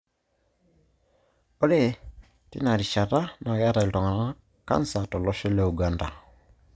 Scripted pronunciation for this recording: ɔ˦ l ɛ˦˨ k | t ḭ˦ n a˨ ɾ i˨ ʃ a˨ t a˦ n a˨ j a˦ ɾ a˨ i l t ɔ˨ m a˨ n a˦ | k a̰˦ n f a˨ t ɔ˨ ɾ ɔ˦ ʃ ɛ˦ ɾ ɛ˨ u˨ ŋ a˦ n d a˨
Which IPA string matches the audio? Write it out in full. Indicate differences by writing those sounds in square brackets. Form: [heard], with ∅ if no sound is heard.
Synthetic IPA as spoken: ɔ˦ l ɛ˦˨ [∅] | t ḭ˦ n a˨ ɾ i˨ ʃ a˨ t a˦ n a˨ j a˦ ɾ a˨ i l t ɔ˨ [ŋ] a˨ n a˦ | k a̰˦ n [s] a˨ t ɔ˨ [l] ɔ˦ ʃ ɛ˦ [l] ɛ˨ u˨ [ɡ] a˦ n d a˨